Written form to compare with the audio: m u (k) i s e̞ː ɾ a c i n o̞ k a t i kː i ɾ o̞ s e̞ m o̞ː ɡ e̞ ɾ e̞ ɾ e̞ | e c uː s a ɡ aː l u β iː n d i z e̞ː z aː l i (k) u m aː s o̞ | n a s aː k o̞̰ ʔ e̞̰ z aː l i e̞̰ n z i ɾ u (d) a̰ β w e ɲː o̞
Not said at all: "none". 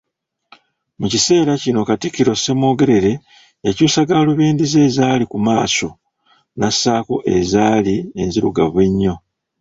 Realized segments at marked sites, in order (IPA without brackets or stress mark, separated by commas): c, k, ɡ